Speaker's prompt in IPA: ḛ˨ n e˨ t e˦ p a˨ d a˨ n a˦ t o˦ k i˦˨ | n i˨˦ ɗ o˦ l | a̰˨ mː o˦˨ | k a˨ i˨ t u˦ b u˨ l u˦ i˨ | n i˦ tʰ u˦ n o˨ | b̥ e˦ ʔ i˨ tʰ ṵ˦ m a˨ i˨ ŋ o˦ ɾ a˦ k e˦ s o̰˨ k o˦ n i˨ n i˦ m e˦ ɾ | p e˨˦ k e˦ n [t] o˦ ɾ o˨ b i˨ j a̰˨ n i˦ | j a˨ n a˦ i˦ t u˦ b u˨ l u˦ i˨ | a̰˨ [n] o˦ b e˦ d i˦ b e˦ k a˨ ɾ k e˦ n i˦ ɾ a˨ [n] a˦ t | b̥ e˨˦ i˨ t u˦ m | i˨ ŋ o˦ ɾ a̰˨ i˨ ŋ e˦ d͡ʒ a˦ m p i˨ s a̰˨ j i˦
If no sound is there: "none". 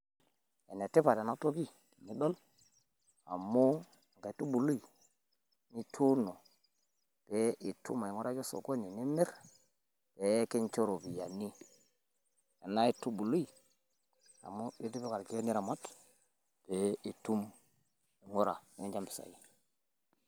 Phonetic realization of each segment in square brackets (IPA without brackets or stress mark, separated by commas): t͡ʃ, m, m